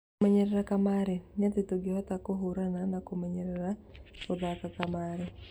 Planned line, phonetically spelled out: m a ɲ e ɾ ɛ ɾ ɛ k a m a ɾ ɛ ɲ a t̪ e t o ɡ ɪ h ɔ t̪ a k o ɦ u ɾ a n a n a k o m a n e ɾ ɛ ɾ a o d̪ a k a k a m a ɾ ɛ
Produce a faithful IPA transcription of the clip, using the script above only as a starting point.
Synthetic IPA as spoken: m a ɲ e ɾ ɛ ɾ a k a m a ɾ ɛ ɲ a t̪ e t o ɡ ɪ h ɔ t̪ a k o ɦ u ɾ a n a n a k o m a ɲ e ɾ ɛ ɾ a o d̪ a k a k a m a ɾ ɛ